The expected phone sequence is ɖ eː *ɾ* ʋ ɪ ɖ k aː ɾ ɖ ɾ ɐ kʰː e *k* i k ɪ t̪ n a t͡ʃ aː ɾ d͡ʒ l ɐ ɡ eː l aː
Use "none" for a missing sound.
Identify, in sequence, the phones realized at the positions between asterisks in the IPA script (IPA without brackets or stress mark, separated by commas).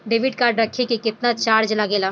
none, k